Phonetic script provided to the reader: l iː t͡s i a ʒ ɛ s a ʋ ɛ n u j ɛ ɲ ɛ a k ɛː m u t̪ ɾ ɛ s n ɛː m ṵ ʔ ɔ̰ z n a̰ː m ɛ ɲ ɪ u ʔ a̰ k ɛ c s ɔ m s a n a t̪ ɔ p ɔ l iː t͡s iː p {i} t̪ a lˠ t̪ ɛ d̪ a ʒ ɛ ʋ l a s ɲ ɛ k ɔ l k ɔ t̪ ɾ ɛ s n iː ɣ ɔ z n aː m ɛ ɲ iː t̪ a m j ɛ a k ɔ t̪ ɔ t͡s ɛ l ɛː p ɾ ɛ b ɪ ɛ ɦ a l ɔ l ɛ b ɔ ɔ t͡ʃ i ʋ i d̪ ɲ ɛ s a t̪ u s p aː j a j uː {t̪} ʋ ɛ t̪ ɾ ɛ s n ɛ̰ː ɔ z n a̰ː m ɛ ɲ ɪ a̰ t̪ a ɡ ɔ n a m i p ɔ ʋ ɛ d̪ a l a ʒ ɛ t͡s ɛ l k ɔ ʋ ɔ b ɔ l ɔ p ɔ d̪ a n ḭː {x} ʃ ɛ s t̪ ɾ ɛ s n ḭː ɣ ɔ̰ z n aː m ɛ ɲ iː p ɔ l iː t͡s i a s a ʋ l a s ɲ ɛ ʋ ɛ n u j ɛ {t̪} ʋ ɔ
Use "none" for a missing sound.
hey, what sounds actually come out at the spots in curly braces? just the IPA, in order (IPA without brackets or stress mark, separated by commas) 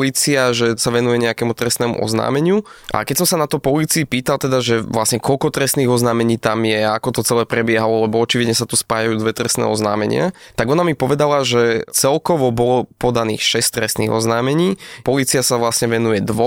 iː, d̪, x, d̪